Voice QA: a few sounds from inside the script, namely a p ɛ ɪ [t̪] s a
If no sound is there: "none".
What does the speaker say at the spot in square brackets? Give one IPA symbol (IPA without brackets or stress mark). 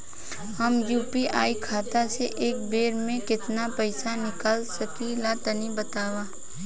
none